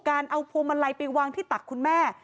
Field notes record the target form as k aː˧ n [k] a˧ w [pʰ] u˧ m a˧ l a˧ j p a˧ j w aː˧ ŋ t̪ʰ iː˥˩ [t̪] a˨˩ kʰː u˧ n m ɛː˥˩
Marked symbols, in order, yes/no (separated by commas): no, yes, yes